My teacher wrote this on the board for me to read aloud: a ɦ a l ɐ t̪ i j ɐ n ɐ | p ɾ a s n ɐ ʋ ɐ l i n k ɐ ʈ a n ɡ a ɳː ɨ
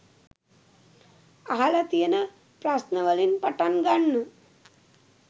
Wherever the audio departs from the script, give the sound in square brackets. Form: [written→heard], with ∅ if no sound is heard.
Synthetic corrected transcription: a ɦ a l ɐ t̪ i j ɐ n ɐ | p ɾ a s n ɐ ʋ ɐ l i n [k→p] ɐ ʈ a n ɡ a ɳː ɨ

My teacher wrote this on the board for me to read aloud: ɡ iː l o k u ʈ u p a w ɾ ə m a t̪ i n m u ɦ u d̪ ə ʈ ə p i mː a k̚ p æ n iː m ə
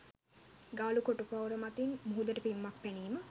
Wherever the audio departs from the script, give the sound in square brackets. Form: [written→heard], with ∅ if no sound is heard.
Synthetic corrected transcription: ɡ [iː→aː] l [o→u] k [u→o] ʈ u p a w ɾ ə m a t̪ i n m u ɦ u d̪ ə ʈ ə p i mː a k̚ p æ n iː m ə

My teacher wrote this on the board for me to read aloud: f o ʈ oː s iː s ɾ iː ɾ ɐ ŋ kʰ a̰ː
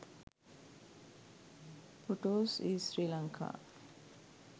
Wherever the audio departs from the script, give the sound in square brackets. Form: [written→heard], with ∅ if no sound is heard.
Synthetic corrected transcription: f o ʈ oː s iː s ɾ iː [ɾ→l] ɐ ŋ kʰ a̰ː

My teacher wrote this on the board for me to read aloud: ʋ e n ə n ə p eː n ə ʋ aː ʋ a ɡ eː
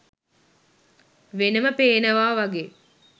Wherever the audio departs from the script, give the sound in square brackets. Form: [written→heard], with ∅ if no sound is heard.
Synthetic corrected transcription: ʋ e n ə [n→m] ə p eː n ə ʋ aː ʋ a ɡ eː

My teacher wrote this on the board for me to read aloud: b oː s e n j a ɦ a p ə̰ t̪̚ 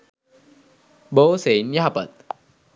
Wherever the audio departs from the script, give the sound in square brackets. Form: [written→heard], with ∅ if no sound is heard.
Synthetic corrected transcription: b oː s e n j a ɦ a p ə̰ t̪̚

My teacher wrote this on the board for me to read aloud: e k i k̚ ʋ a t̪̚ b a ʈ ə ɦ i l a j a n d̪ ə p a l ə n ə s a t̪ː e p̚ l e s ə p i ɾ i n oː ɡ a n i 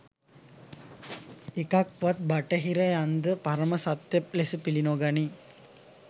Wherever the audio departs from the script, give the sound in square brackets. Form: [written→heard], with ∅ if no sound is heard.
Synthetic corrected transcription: e k [i→a] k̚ ʋ a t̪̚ b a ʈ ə ɦ i [l→ɾ] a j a n d̪ ə p a [l→ɾ] ə [n→m] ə s a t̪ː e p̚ l e s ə p i [ɾ→l] i n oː ɡ a n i

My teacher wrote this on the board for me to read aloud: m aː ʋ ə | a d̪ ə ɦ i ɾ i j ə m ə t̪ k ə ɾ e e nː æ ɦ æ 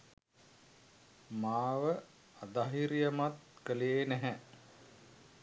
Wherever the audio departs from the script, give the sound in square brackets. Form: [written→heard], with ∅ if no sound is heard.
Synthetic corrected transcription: m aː ʋ ə | a d̪ [ə→a] ɦ i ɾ i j ə m [ə→a] t̪ k ə [ɾ→l] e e [nː→n] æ ɦ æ

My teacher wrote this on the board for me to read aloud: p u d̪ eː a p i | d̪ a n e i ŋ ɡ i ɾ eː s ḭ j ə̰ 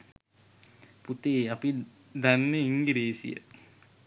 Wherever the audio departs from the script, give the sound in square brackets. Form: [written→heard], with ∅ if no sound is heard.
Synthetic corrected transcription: p u [d̪→t̪] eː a p i | d̪ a [n→nː] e i ŋ ɡ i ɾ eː s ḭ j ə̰

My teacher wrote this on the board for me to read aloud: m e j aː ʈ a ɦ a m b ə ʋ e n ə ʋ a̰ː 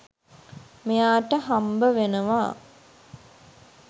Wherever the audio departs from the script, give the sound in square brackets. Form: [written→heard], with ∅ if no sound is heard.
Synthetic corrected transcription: m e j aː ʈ [a→ə] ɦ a m b ə ʋ e n ə ʋ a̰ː

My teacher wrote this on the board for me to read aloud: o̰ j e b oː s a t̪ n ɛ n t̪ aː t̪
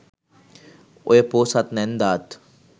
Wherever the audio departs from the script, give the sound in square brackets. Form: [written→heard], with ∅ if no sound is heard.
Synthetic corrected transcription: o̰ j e [b→p] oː s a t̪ n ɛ n [t̪→d̪] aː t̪

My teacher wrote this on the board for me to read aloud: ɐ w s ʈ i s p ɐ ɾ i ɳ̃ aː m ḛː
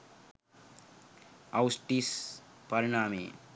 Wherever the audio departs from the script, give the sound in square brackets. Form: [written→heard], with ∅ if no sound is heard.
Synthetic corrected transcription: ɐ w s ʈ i s p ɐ ɾ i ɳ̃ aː m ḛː

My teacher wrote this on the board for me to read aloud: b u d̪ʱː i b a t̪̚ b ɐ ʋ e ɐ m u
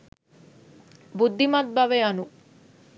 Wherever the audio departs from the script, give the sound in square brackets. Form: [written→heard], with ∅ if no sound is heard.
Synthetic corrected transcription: b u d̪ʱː i [b→m] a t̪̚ b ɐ ʋ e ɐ [m→n] u

